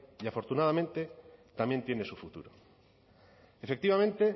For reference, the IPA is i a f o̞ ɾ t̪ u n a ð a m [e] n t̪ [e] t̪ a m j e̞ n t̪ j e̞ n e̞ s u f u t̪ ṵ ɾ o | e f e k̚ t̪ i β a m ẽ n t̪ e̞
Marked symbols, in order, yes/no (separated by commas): no, yes